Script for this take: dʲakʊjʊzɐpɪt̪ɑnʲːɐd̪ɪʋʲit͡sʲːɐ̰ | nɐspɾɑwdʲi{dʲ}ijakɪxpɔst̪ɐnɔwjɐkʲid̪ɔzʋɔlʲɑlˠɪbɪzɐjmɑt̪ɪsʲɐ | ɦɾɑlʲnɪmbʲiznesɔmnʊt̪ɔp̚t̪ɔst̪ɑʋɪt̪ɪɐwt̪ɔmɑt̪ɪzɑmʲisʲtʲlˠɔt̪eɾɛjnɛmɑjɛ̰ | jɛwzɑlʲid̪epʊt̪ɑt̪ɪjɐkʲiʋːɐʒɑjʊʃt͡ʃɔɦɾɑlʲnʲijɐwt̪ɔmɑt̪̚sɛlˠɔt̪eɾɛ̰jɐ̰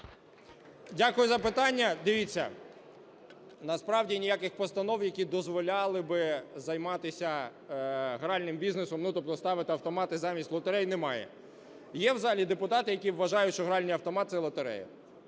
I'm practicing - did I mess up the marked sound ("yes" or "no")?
yes